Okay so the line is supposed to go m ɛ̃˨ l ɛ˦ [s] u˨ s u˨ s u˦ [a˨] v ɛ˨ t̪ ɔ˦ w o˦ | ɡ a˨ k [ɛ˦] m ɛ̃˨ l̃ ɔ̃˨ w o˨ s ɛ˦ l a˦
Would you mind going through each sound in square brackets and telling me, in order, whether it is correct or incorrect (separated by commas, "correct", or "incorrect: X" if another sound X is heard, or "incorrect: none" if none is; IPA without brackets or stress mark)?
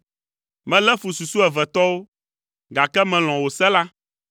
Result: incorrect: f, incorrect: ɛ˨, correct